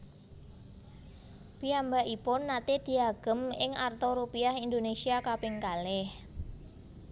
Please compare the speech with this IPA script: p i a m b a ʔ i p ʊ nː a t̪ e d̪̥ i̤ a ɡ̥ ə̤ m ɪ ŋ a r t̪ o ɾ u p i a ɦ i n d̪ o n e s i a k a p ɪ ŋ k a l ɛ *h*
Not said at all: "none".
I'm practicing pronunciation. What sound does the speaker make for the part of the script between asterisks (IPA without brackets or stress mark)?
h